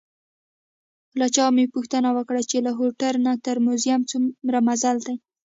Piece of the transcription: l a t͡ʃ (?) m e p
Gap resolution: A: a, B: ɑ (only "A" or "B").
B